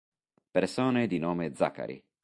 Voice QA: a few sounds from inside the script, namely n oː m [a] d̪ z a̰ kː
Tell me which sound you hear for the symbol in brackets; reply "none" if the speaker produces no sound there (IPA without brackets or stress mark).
e